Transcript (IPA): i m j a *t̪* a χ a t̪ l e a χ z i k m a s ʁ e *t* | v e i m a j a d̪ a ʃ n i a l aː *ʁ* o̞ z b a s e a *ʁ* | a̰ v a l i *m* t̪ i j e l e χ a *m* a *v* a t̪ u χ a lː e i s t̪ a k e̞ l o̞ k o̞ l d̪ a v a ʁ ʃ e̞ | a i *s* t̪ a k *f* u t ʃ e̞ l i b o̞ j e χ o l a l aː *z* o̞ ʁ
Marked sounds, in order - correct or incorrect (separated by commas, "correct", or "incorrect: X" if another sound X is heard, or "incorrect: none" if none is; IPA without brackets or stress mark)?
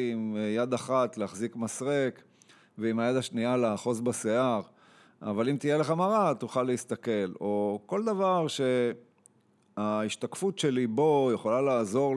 incorrect: d̪, incorrect: k, incorrect: χ, correct, correct, correct, incorrect: ʁ, incorrect: ʃ, correct, correct